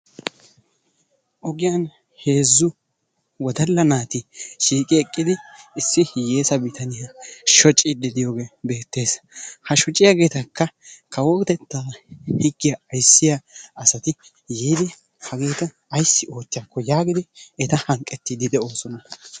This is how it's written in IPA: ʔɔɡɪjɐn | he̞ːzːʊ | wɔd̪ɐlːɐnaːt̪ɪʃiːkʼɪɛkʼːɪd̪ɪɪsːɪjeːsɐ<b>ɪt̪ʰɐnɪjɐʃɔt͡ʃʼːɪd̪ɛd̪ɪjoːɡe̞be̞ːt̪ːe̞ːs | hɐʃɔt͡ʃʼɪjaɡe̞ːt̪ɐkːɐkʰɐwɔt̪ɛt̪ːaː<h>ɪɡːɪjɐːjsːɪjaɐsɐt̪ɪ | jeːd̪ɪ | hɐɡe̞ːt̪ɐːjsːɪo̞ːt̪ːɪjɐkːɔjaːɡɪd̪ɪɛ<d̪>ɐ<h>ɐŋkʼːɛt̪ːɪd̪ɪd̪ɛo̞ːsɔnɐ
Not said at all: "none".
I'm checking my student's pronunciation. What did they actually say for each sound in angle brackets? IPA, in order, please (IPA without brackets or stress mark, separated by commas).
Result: b, h, t̪, h